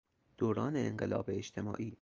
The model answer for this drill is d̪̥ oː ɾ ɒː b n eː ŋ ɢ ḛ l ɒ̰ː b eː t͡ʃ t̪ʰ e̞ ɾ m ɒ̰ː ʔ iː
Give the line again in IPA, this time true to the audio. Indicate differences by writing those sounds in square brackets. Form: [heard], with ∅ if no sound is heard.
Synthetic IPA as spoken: d̪̥ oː ɾ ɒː [∅] n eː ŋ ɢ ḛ l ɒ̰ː b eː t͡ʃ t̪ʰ e̞ [∅] m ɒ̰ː ʔ iː